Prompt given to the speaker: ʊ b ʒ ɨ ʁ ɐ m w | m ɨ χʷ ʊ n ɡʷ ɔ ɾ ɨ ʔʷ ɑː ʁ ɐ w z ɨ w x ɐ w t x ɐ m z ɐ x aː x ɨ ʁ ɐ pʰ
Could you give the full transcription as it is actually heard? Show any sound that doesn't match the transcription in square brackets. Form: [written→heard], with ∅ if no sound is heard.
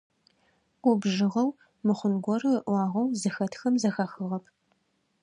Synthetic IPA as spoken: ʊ b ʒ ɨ ʁ ɐ [m→∅] w | m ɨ χʷ ʊ n ɡʷ ɔ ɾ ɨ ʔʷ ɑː ʁ ɐ w z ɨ [w→∅] x ɐ [w→∅] t x ɐ m z ɐ x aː x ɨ ʁ ɐ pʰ